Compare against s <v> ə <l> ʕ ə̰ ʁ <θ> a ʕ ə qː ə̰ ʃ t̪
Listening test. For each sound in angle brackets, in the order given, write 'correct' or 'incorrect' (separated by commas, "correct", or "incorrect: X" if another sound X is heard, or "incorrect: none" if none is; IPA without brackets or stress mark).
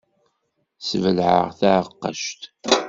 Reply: correct, correct, correct